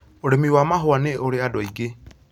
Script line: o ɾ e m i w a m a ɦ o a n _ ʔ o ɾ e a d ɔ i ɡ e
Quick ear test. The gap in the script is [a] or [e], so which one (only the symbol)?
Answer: e